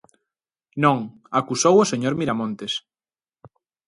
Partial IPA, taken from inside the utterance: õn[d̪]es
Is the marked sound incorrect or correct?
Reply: incorrect